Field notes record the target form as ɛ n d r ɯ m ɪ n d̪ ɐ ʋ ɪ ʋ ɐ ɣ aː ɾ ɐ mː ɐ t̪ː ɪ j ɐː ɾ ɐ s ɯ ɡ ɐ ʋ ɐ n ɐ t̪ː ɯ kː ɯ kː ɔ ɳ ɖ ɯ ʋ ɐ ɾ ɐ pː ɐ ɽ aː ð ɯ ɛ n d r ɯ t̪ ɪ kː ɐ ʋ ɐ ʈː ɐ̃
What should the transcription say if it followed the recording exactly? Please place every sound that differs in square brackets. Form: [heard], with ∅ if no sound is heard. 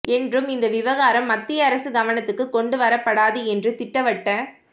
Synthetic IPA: ɛ n d r ɯ m ɪ n d̪ ɐ ʋ ɪ ʋ ɐ ɣ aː ɾ ɐ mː ɐ t̪ː ɪ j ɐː ɾ ɐ s ɯ ɡ ɐ ʋ ɐ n ɐ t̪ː ɯ kː ɯ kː ɔ ɳ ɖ ɯ ʋ ɐ ɾ ɐ pː ɐ ɽ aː ð ɯ ɛ n d r ɯ t̪ ɪ [ʈː] ɐ ʋ ɐ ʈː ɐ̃